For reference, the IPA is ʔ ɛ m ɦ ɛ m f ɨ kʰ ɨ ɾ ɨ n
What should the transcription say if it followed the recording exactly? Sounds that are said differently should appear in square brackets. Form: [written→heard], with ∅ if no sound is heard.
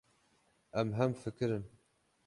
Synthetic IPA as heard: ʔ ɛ m ɦ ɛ m f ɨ [kʰ→k] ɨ ɾ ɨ n